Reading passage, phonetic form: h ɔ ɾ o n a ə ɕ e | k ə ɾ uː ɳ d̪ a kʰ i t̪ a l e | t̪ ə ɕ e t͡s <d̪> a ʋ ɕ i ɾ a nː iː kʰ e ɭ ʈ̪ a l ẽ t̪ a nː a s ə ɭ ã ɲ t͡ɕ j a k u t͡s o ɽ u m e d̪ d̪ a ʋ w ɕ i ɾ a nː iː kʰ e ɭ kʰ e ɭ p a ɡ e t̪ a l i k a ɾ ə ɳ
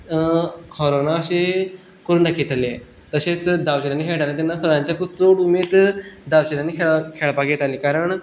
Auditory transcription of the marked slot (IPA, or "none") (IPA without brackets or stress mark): d̪